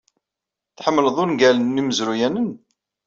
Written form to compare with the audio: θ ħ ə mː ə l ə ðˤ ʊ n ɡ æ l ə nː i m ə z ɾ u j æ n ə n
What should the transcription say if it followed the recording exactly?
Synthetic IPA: θ ħ ə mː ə l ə ðˤ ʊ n ɡ æ l ə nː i m ə z ɾ u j æ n ə n

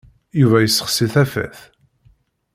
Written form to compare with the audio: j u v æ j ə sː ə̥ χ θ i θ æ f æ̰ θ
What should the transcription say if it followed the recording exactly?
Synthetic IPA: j u v æ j ə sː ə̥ χ s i θ æ f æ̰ θ

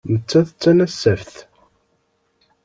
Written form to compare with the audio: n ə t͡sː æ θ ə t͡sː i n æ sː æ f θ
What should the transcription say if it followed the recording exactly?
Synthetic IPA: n ə t͡sː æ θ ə t͡sː æ n æ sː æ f θ

